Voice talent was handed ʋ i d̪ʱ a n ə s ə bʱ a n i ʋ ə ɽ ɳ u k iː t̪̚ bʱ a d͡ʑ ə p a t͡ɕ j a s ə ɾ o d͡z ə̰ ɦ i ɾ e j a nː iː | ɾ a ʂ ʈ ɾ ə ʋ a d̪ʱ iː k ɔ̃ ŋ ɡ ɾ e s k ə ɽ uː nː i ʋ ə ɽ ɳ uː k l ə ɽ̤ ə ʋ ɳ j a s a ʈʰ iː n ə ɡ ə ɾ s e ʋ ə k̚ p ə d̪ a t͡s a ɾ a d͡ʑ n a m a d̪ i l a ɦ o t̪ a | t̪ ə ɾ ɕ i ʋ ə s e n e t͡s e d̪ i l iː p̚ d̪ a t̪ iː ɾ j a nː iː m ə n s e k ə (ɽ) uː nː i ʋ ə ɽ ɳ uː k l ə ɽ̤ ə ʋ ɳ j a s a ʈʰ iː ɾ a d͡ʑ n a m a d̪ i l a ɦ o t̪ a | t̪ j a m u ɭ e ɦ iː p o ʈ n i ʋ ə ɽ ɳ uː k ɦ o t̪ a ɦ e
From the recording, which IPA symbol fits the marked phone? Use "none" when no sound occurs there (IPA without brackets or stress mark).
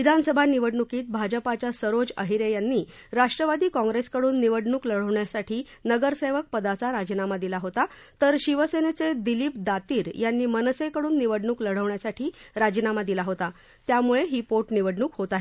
ɽ